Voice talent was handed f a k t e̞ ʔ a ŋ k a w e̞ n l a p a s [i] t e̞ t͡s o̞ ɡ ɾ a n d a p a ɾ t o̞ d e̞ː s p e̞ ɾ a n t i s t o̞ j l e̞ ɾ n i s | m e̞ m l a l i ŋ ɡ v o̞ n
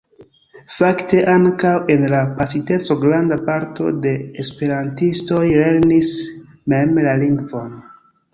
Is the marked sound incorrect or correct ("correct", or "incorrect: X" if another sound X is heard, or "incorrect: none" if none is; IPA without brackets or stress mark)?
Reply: correct